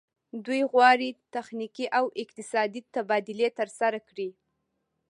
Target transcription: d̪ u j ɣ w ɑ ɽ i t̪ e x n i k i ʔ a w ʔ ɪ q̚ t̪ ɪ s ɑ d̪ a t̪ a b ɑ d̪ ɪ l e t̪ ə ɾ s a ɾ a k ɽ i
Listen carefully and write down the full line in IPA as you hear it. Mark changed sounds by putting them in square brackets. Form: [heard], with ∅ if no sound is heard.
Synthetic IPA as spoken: d̪ u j ɣ w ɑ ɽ i t̪ [a] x n i k i ʔ a w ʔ ɪ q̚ t̪ ɪ s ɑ d̪ [i] t̪ a b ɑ d̪ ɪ l e t̪ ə ɾ s a ɾ a k ɽ i